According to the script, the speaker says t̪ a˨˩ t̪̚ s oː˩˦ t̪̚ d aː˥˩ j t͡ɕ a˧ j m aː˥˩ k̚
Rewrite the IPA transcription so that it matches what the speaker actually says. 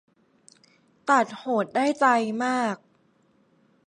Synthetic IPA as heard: t̪ a˨˩ t̪̚ h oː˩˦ t̪̚ d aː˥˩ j t͡ɕ a˧ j m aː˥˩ k̚